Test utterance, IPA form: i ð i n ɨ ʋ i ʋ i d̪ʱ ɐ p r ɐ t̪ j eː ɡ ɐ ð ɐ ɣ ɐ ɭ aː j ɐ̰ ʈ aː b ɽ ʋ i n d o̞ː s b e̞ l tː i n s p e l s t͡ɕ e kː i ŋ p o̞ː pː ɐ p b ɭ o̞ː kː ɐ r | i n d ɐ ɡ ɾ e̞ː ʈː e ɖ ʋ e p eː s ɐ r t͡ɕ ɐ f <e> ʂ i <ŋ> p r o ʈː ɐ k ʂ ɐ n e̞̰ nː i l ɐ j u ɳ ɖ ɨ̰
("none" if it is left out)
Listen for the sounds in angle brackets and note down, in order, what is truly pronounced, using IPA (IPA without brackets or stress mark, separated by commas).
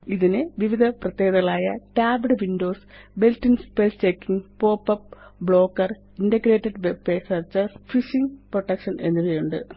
i, ŋ